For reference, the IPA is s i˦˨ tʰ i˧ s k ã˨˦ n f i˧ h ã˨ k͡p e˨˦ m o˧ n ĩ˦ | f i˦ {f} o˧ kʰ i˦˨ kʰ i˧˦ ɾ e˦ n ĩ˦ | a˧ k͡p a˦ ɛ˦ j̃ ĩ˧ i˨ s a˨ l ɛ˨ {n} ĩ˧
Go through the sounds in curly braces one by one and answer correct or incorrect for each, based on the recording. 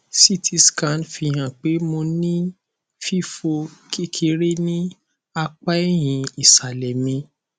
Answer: correct, incorrect: m

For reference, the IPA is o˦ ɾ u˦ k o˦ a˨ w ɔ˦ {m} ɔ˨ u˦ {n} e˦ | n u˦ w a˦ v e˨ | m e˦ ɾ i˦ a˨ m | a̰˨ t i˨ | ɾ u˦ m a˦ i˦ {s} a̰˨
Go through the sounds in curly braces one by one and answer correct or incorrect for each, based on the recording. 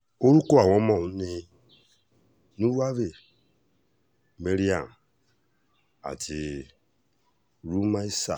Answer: correct, correct, correct

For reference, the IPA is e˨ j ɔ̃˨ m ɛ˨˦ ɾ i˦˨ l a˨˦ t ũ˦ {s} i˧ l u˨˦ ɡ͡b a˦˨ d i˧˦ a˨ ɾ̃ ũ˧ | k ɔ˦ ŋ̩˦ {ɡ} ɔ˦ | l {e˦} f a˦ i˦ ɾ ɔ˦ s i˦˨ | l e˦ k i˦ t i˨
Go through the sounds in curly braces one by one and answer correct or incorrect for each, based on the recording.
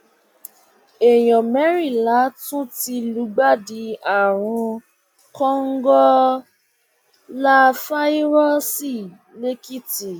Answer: incorrect: t, correct, incorrect: a˦

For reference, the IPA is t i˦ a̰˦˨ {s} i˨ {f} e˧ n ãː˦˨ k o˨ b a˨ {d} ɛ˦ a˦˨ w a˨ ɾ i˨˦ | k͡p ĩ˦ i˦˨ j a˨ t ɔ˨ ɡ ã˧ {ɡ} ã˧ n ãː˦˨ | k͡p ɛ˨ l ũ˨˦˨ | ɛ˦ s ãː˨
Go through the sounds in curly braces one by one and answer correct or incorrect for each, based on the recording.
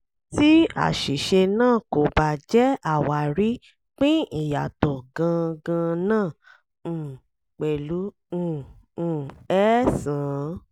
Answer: incorrect: ʃ, incorrect: ʃ, incorrect: d͡ʒ, correct

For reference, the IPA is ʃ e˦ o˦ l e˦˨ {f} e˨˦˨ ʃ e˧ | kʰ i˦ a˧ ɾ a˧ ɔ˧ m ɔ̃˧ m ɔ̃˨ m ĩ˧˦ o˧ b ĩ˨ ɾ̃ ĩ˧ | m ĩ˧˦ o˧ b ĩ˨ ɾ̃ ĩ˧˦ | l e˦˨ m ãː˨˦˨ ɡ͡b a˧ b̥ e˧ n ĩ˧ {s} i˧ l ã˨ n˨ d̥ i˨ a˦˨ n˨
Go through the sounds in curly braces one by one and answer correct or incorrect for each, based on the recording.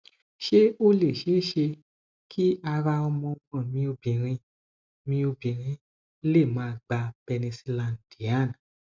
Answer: incorrect: ʃ, correct

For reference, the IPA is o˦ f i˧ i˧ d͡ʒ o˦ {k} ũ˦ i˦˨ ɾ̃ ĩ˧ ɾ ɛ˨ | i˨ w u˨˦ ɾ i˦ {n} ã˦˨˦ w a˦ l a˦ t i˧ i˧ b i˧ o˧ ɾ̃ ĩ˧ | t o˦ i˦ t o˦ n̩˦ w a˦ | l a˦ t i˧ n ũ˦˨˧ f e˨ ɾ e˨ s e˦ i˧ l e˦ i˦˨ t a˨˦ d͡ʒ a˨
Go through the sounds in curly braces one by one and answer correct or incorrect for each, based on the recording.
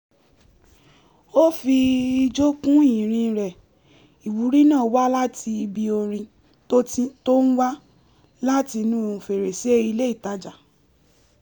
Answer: correct, correct

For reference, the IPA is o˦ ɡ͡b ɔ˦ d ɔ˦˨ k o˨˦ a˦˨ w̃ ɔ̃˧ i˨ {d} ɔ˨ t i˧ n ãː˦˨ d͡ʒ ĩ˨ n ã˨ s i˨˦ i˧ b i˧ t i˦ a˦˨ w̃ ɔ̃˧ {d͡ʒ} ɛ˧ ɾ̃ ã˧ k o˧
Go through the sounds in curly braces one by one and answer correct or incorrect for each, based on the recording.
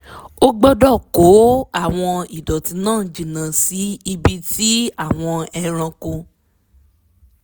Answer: correct, incorrect: none

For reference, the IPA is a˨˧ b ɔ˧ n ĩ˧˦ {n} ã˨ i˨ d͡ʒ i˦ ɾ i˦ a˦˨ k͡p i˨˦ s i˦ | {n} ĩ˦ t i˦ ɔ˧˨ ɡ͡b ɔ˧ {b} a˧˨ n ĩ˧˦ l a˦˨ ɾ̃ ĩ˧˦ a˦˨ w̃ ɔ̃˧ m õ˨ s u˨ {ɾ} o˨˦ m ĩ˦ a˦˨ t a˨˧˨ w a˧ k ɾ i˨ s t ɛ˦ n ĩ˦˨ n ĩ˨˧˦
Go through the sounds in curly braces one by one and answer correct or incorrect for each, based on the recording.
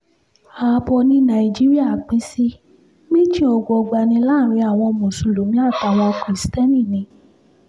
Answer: correct, incorrect: m, incorrect: ɡ͡b, incorrect: l

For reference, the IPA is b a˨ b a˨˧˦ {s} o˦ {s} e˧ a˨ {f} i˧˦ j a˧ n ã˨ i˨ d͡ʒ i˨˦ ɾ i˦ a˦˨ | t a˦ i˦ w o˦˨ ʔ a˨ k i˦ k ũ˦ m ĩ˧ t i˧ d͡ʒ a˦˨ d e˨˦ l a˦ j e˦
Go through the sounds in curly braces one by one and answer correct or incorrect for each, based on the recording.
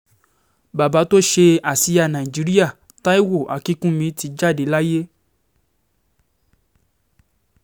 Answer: incorrect: t, incorrect: ʃ, incorrect: s

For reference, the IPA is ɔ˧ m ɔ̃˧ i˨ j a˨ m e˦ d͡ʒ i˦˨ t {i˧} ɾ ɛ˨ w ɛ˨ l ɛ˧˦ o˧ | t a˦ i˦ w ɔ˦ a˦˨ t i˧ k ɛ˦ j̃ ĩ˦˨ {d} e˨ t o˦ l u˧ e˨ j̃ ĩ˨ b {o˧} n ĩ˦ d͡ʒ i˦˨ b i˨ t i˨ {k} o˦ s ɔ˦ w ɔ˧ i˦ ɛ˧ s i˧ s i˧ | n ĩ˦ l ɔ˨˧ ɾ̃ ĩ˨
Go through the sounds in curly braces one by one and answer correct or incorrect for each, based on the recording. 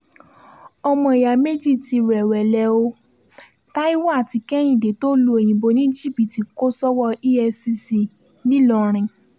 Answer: correct, correct, correct, correct

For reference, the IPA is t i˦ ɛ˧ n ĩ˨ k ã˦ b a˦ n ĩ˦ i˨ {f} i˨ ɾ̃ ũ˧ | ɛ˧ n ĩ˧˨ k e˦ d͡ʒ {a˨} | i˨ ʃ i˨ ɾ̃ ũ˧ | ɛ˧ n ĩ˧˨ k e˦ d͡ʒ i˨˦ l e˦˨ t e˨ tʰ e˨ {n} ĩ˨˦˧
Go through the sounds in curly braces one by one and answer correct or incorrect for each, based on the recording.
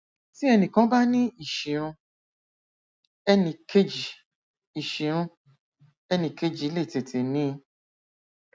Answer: incorrect: ʃ, incorrect: i˨, correct

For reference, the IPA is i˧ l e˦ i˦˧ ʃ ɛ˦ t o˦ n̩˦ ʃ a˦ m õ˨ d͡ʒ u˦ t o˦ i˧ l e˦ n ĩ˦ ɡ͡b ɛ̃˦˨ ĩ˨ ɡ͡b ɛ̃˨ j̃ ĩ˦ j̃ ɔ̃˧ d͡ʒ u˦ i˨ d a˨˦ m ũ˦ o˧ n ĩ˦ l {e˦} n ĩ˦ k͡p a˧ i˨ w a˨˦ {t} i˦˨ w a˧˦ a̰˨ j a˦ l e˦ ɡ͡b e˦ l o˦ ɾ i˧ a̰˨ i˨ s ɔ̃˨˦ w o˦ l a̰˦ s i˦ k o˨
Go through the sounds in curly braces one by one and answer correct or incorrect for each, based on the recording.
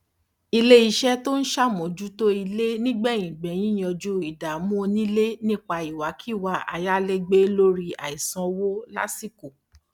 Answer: correct, incorrect: k

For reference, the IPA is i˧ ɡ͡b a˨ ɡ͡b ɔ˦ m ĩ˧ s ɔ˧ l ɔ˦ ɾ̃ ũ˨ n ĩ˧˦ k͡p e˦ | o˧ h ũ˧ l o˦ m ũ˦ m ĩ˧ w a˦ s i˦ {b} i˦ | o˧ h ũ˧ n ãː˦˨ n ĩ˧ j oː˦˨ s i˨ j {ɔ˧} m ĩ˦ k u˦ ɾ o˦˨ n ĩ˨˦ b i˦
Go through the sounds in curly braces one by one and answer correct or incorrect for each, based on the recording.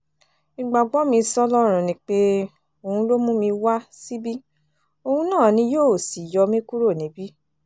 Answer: correct, correct

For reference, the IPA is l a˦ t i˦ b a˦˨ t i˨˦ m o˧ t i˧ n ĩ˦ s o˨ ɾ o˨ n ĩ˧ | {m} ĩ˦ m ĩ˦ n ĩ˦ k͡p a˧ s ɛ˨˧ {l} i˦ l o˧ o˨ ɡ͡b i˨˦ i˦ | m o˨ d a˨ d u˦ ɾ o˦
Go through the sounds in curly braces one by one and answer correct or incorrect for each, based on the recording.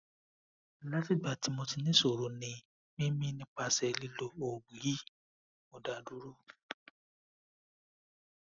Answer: correct, correct

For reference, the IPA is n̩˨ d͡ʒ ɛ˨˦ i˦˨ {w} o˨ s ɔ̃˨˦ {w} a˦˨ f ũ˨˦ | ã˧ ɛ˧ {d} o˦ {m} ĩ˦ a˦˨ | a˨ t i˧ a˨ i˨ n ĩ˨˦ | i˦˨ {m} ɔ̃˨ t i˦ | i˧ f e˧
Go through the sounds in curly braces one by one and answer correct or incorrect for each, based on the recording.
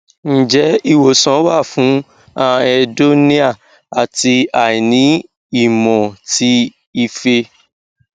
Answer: correct, correct, correct, incorrect: n, correct

